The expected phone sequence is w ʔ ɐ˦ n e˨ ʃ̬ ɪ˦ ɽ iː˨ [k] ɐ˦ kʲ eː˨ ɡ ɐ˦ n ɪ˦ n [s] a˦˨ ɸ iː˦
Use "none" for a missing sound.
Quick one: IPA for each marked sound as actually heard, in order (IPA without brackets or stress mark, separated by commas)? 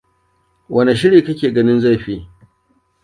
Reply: k, z